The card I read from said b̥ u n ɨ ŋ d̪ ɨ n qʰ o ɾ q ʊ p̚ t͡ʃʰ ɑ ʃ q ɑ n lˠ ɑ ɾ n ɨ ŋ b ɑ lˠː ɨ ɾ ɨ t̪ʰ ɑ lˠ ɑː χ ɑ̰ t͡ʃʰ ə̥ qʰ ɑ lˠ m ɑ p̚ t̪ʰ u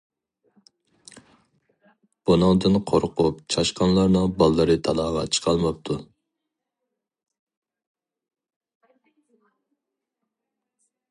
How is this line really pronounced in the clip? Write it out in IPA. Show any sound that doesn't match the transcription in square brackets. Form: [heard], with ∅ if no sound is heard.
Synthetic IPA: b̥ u n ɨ ŋ d̪ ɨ n qʰ o ɾ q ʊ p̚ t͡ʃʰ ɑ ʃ q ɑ n lˠ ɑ ɾ n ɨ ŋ b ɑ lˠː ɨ ɾ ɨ t̪ʰ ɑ lˠ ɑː [ʁ] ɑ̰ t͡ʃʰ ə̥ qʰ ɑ lˠ m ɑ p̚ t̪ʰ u